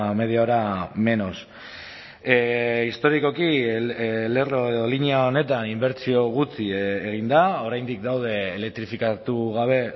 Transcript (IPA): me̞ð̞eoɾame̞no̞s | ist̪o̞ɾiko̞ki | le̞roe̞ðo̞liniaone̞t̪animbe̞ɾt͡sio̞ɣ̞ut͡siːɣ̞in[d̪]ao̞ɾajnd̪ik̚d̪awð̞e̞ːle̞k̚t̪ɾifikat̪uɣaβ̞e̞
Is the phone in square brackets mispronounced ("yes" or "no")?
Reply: no